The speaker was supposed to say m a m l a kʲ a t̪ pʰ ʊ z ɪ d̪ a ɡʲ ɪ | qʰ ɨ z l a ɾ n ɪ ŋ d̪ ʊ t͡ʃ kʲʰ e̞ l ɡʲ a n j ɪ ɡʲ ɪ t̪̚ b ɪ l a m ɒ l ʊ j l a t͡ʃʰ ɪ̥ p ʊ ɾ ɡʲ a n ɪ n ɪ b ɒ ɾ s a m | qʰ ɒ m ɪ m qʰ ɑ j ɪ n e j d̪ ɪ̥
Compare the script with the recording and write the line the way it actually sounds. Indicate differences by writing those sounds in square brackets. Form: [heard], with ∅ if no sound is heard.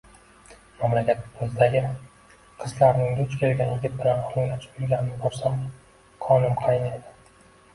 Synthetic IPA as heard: m a m l a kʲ a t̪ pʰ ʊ z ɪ d̪ a ɡʲ ɪ | qʰ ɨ z l a ɾ n ɪ ŋ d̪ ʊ t͡ʃ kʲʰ e̞ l ɡʲ a n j ɪ ɡʲ ɪ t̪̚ b ɪ l a [n] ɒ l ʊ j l a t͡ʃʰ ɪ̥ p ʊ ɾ ɡʲ a n ɪ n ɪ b ɒ ɾ s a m | qʰ ɒ [n] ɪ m qʰ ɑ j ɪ n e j d̪ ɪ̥